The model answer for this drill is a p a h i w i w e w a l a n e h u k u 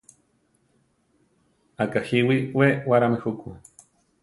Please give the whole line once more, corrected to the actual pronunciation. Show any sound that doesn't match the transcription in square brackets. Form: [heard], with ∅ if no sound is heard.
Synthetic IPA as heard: a [k] a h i w i w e w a [ɾ] a [m] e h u k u